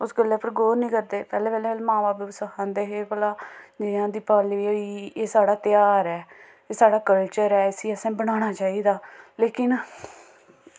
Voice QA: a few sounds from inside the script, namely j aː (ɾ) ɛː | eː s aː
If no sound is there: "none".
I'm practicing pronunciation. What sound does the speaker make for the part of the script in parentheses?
ɾ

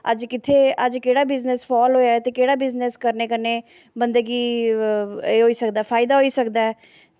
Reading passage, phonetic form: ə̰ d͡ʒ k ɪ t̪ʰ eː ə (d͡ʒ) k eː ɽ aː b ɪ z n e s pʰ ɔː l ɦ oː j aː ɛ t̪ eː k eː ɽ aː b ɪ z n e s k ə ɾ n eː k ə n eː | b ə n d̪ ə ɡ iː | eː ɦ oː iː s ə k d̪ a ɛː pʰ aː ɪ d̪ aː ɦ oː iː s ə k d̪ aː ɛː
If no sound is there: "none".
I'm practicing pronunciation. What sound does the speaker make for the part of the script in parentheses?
d͡ʒ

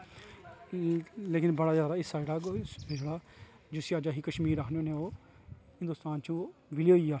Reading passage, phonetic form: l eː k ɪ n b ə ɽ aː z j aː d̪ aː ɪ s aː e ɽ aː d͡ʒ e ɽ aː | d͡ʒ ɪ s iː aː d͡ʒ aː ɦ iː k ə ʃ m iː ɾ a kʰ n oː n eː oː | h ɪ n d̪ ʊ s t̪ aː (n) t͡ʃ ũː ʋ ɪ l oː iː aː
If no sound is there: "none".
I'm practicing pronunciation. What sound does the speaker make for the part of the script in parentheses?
n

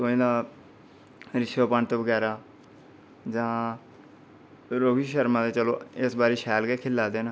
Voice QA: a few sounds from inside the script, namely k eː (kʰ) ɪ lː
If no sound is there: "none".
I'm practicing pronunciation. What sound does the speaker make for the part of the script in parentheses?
kʰ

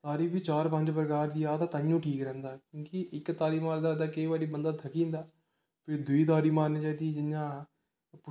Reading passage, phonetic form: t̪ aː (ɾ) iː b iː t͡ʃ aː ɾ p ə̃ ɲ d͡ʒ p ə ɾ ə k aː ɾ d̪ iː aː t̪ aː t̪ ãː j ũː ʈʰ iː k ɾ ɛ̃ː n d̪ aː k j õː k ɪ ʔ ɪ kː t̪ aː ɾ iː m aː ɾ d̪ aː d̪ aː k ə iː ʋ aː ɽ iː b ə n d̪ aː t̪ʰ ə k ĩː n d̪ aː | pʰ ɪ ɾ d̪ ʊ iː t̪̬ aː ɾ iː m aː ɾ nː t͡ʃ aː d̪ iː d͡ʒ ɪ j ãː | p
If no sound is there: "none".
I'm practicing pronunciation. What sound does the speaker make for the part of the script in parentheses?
ɾ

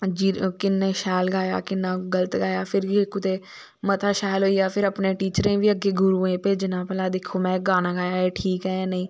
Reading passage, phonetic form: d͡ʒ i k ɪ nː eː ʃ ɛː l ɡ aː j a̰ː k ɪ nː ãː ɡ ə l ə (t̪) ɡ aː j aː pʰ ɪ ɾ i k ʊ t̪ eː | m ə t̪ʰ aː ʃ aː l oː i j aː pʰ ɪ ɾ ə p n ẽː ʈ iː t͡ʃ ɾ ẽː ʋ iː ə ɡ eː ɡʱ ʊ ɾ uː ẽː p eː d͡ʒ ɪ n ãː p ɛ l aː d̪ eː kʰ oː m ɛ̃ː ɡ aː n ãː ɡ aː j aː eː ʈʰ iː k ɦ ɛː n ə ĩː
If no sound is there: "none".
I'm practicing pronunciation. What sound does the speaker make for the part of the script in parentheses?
t̪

